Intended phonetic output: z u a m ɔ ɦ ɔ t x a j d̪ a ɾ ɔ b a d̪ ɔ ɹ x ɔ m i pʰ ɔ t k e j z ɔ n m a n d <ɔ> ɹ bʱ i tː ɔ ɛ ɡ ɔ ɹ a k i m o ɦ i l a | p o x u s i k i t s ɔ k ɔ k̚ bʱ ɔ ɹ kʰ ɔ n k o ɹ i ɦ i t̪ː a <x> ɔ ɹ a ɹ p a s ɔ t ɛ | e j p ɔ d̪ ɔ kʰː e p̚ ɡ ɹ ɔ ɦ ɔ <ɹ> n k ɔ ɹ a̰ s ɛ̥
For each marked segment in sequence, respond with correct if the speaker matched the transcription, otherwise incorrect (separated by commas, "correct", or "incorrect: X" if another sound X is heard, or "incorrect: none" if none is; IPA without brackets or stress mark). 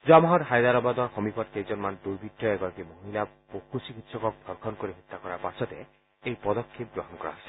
incorrect: u, incorrect: k, incorrect: none